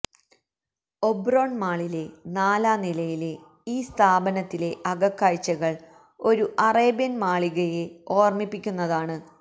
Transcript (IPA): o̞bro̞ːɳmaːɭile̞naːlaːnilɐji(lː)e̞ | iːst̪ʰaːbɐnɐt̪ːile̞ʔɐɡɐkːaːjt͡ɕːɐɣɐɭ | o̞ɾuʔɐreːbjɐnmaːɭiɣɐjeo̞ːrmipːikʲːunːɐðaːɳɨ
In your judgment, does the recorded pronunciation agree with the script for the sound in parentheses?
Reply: no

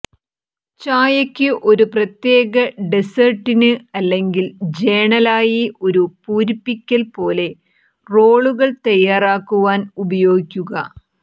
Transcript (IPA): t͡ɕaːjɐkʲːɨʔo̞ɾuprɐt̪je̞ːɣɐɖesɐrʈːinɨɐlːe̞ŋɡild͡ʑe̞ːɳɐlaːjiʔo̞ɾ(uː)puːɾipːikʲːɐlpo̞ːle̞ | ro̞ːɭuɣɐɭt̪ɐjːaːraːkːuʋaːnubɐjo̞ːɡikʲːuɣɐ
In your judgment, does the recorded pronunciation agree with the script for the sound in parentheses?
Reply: no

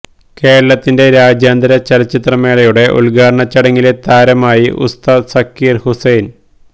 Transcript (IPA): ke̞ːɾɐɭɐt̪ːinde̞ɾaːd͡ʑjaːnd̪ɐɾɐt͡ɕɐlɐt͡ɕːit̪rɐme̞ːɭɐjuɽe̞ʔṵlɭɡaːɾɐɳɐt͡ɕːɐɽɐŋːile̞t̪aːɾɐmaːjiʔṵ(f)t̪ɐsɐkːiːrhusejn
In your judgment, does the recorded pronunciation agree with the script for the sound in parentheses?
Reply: no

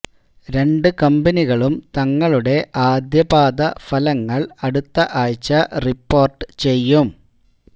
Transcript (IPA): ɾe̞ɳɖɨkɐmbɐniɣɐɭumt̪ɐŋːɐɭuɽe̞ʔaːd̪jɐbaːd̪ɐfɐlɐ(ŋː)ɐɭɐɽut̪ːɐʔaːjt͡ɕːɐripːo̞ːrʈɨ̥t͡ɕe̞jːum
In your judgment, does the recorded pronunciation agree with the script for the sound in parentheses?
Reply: yes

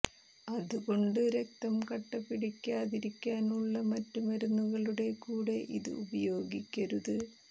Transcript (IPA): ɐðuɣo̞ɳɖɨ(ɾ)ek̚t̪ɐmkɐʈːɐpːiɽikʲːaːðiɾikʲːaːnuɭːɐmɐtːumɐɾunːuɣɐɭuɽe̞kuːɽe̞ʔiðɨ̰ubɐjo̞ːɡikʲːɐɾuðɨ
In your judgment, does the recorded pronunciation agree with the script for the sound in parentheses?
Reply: yes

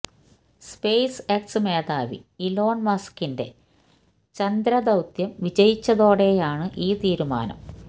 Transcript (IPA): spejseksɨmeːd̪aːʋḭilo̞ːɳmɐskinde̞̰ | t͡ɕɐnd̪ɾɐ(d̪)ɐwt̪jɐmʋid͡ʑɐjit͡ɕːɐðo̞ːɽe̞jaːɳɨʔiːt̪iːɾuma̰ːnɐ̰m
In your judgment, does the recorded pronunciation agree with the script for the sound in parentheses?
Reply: yes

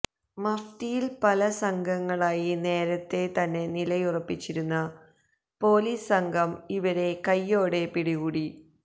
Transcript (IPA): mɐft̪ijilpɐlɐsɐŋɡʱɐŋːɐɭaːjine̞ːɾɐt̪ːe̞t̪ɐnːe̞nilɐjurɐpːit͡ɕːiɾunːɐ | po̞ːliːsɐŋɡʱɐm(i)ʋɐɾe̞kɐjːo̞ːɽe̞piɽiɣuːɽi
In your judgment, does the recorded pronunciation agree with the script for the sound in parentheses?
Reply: yes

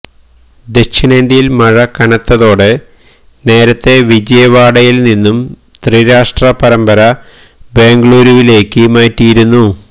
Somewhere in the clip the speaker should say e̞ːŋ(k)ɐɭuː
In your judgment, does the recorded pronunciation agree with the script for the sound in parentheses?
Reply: no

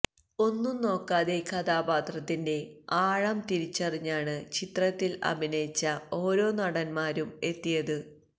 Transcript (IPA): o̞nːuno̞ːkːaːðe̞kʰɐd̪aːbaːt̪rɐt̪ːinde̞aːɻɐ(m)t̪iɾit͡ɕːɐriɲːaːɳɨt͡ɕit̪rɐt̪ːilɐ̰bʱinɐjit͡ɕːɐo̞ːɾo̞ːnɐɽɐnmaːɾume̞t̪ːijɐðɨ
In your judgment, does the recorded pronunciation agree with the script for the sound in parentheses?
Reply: yes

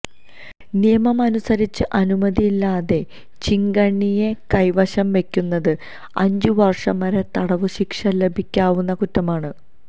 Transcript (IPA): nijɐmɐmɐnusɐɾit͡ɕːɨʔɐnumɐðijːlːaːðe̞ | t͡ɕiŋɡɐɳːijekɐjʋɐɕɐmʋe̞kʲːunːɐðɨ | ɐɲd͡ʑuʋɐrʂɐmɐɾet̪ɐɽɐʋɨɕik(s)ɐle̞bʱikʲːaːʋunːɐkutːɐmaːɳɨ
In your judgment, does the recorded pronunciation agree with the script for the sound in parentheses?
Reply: no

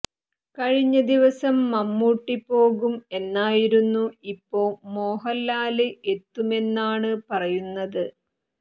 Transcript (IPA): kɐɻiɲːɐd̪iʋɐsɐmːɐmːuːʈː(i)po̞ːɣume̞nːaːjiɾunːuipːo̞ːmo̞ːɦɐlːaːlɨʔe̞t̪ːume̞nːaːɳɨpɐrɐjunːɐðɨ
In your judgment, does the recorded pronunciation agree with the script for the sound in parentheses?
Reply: yes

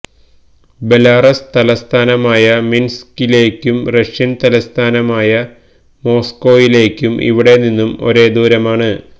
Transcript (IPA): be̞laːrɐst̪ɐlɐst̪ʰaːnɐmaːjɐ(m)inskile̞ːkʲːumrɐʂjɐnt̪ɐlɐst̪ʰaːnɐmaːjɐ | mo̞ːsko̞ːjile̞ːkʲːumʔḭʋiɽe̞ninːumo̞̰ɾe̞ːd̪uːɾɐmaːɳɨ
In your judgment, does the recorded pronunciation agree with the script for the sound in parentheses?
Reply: yes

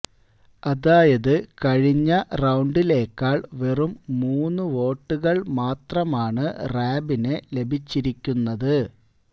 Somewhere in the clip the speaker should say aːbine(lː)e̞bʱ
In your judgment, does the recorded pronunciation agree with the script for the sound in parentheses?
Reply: no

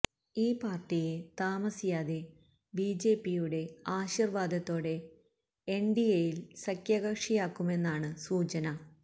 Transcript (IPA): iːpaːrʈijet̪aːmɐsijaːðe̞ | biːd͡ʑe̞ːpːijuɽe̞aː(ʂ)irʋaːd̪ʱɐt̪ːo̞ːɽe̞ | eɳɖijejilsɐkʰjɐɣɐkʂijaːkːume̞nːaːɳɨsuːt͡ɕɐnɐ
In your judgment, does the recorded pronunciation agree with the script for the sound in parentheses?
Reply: no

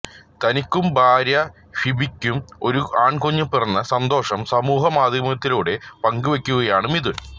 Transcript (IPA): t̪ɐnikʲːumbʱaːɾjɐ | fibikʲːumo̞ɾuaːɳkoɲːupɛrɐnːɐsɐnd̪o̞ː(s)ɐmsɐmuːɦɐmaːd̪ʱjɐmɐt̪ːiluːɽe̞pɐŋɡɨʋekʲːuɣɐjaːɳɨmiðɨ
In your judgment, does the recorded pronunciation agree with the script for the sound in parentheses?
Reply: no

